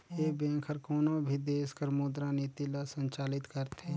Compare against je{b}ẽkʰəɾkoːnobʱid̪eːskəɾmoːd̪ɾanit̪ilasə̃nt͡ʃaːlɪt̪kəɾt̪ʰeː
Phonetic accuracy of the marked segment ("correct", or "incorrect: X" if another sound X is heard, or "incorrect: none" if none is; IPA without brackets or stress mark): correct